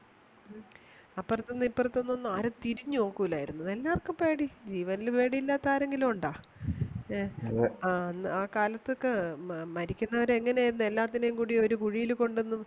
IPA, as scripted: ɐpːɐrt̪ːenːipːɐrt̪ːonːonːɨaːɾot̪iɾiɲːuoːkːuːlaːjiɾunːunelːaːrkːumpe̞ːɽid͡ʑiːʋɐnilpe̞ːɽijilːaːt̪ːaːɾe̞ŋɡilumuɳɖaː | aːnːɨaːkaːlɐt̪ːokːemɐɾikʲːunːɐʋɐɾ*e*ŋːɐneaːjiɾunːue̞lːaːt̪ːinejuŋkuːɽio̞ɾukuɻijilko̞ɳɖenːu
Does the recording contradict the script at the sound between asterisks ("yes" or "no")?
no